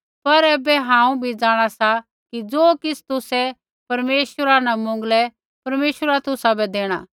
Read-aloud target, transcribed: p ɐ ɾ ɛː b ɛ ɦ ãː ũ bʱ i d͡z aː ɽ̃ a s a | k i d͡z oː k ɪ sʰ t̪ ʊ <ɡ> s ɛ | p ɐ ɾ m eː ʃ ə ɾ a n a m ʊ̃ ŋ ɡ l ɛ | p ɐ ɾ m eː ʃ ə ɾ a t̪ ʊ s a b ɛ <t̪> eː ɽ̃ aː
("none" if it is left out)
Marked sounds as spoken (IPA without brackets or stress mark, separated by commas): none, d̪